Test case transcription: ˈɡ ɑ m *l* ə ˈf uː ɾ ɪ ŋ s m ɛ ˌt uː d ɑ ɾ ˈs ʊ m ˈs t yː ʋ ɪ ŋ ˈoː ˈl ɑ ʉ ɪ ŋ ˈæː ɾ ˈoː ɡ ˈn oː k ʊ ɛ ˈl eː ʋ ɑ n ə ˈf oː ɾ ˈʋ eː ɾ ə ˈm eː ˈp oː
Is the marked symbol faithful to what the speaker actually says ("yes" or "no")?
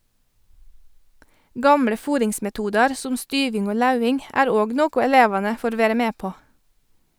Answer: no